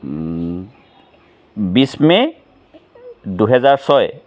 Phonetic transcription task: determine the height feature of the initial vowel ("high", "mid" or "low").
high